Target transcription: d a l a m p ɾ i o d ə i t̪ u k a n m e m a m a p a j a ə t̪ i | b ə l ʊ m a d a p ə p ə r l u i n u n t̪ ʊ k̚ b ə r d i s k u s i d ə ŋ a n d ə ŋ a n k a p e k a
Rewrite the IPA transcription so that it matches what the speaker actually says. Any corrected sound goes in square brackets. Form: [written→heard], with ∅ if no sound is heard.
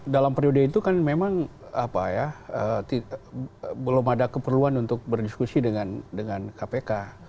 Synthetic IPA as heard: d a l a m p ɾ i o d ə i t̪ u k a n m e m a [m→ŋ] a p a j a ə t̪ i | b ə l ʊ m a d a [p→k] ə p ə r l u [i→a] n u n t̪ ʊ k̚ b ə r d i s k u s i d ə ŋ a n d ə ŋ a n k a p e k a